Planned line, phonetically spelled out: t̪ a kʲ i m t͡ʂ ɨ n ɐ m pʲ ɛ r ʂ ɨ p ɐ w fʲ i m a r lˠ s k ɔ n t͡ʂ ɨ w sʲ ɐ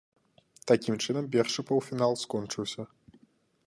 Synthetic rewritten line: t̪ a kʲ i m t͡ʂ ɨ n ɐ m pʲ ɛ r ʂ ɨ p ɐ w fʲ i n a lˠ s k ɔ n t͡ʂ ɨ w sʲ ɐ